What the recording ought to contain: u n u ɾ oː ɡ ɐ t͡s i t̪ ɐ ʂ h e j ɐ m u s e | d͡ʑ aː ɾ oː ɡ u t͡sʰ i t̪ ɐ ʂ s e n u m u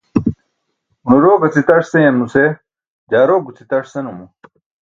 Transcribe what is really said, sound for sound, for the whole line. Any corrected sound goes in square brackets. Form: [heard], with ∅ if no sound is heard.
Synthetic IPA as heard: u n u ɾ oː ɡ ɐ t͡s i t̪ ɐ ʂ [s] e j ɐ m u s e | d͡ʑ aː ɾ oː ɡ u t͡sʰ i t̪ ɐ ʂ s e n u m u